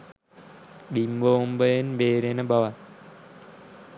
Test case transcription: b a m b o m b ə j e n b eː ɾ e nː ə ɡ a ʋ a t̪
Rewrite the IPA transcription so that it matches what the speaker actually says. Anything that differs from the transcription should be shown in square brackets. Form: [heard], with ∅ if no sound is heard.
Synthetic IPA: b [i] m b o m b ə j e n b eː ɾ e [n] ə [b] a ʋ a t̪